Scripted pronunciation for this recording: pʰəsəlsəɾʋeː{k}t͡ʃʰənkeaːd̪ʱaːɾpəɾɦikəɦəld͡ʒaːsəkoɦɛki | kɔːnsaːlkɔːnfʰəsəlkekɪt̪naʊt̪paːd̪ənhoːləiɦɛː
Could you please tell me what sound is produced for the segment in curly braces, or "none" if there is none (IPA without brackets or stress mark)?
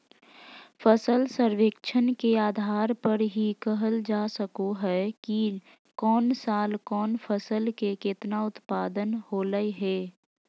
k